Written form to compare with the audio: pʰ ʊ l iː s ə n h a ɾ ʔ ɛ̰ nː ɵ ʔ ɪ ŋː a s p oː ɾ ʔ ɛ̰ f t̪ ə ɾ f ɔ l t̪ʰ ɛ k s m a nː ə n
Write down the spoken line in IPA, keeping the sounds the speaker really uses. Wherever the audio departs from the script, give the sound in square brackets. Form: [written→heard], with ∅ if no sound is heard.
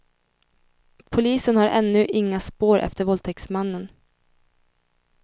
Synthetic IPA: pʰ ʊ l iː s ə n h a ɾ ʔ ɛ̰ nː ɵ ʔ ɪ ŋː a s p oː ɾ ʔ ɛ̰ f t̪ ə ɾ [f→v] ɔ l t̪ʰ ɛ k s m a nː ə n